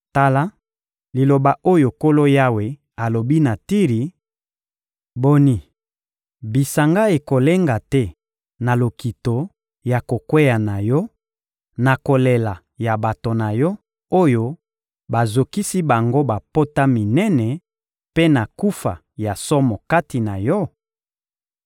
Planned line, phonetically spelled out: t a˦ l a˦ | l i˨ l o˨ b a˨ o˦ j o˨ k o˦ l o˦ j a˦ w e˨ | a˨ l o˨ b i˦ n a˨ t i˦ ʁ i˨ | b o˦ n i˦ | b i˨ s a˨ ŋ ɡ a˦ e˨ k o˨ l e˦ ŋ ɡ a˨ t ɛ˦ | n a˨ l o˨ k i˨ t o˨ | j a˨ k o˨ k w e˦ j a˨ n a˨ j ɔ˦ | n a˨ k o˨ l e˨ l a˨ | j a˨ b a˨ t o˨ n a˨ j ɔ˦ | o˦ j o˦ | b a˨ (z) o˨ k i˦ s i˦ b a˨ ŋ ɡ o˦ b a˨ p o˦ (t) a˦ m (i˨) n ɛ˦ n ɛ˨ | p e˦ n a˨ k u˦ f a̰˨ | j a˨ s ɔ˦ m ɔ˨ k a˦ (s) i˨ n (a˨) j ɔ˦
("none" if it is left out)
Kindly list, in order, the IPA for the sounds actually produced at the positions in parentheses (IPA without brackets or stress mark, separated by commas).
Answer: z, t, i˨, t, a˨